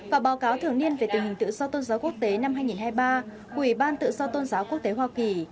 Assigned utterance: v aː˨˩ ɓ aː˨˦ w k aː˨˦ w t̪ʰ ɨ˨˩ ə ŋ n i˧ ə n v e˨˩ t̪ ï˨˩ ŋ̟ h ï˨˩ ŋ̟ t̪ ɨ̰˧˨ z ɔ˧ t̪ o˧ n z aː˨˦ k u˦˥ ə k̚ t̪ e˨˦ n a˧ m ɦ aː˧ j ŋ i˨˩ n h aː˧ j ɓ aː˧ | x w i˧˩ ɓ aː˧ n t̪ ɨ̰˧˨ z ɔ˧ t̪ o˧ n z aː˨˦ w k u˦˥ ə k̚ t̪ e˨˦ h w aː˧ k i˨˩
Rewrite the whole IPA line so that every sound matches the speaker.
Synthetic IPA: v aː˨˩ ɓ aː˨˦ w k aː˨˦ w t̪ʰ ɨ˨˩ ə ŋ n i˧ ə n v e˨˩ t̪ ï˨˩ ŋ̟ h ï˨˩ ŋ̟ t̪ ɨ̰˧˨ z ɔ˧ t̪ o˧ n z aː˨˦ k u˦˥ ə k̚ t̪ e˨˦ n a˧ m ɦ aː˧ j ŋ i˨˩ n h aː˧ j ɓ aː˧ | k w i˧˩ ɓ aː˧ n t̪ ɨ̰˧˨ z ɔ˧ t̪ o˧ n z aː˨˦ w k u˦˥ ə k̚ t̪ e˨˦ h w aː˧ k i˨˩